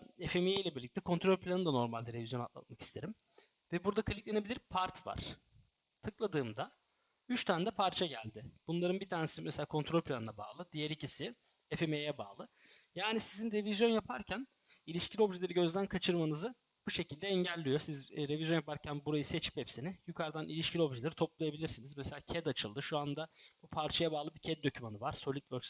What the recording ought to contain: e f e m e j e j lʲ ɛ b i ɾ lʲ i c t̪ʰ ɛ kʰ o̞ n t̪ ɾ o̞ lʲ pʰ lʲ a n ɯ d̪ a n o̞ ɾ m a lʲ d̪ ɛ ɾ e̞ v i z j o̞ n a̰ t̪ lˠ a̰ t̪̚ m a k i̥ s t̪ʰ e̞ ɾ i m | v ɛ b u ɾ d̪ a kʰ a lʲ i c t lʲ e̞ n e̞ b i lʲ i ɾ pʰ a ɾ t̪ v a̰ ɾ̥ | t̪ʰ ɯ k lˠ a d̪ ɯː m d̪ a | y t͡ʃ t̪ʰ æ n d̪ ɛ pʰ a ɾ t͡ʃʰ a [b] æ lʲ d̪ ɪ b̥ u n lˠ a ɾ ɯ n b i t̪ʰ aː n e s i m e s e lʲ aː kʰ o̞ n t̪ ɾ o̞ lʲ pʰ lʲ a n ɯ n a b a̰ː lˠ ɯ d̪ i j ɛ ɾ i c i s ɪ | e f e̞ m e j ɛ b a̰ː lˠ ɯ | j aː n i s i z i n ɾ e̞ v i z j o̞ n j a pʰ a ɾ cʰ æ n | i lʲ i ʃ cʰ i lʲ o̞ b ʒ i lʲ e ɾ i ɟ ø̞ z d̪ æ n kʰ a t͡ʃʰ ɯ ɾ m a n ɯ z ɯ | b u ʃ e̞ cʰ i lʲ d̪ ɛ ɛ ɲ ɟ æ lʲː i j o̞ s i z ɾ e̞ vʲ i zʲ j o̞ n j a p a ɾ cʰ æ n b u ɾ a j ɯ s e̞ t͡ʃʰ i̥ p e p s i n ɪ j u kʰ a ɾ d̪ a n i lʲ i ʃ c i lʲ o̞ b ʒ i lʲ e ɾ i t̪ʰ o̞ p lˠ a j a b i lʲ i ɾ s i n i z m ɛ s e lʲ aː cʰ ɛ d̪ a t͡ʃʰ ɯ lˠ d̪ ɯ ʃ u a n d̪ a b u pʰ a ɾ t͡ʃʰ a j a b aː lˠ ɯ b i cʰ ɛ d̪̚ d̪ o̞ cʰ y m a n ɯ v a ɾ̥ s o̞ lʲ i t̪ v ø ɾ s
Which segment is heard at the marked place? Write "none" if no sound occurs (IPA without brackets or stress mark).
ɟ